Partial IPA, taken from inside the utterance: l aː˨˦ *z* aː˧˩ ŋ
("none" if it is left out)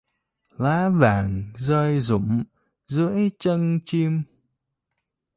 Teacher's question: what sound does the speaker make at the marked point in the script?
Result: v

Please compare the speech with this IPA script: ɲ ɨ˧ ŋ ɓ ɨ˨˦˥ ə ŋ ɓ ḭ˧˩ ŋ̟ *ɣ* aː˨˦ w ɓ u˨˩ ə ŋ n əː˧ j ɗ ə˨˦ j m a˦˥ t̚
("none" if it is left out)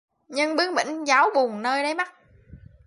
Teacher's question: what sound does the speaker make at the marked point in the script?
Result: z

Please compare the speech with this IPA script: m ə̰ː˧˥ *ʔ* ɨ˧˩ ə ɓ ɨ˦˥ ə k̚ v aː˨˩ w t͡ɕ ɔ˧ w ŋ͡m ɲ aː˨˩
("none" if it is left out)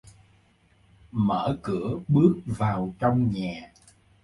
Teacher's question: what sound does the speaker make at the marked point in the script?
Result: k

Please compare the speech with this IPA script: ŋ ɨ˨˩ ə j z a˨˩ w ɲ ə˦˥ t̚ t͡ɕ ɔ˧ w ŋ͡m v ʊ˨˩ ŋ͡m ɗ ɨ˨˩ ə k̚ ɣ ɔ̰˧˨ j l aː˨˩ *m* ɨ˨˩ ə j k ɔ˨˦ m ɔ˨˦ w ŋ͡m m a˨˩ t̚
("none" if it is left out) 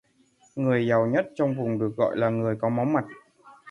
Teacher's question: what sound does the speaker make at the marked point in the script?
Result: ŋ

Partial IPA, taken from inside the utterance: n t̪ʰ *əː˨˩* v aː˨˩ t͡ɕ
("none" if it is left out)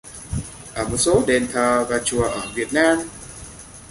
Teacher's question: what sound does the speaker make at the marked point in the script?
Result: əː˨˩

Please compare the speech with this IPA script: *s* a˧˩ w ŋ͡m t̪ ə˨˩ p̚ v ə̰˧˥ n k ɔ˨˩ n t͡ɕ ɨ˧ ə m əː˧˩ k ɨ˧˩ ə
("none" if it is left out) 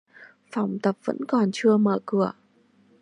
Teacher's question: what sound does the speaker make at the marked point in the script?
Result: f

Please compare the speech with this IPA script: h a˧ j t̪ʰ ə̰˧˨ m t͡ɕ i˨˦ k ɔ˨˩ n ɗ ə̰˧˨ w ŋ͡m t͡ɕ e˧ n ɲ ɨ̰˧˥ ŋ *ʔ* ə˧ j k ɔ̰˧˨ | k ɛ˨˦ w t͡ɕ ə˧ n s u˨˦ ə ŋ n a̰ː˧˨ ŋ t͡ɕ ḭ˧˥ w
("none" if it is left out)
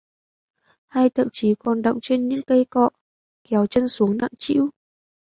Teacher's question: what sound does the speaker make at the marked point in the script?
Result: k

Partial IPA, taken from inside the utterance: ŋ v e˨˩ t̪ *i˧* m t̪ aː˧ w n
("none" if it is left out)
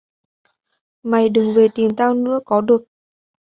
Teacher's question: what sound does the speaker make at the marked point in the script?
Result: i˨˩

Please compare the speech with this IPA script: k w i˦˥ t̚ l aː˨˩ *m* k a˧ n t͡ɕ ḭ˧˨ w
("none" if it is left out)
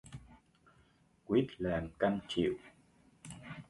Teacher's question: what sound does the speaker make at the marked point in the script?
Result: m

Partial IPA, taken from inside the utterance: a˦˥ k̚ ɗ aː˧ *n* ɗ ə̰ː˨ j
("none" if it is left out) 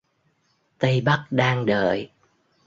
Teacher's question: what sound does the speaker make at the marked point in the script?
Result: ŋ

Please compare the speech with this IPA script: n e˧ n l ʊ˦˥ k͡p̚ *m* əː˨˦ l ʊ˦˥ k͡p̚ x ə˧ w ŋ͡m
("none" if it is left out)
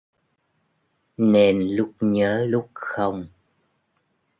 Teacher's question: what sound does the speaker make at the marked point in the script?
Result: ɲ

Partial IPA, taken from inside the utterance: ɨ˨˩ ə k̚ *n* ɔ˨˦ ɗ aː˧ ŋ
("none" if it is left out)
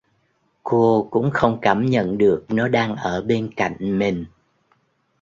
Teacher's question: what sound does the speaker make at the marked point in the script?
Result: n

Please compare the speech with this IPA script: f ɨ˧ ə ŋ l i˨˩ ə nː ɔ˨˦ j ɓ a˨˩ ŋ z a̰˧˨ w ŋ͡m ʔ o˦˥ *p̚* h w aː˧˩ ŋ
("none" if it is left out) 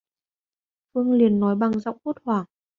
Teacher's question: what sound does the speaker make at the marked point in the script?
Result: t̚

